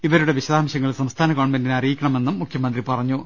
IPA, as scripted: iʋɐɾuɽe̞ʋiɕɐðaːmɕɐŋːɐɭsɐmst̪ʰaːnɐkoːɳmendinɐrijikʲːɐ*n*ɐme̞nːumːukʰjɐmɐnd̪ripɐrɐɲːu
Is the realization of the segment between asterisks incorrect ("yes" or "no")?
yes